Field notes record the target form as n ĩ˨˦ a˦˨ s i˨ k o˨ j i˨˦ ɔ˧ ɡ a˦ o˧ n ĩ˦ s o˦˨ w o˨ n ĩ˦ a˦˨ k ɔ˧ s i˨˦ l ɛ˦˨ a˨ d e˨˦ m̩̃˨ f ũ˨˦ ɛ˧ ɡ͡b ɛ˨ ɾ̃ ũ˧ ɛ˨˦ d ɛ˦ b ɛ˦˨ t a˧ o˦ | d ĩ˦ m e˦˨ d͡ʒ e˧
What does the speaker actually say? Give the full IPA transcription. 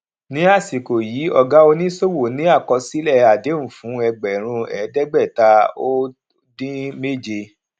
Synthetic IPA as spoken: n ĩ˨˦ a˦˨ s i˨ k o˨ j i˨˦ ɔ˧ ɡ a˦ o˧ n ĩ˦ s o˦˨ w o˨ n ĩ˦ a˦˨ k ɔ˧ s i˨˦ l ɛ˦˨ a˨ d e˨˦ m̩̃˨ f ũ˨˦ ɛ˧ ɡ͡b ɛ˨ ɾ̃ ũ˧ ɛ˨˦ d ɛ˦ ɡ͡b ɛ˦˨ t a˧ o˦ | d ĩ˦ m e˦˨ d͡ʒ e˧